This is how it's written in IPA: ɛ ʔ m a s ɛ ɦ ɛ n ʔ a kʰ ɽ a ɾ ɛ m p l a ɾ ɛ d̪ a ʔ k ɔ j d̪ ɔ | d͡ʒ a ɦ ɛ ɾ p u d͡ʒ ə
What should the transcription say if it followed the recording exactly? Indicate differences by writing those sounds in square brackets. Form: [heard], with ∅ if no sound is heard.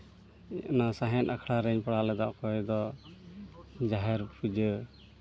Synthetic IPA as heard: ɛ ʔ [n] a s [a] ɦ ɛ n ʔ a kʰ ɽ a ɾ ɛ [ɲ] p [ɽ] a [l] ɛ d̪ a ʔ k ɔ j d̪ ɔ | d͡ʒ a ɦ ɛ ɾ p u d͡ʒ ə